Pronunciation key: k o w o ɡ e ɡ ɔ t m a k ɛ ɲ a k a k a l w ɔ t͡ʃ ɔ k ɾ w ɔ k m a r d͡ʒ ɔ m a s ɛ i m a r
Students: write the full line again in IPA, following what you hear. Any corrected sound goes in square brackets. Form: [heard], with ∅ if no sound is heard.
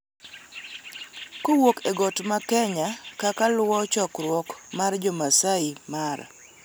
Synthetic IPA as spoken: k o w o [k] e ɡ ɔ t m a k ɛ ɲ a k a k a l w ɔ t͡ʃ ɔ k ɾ w ɔ k m a r d͡ʒ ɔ m a s [a] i m a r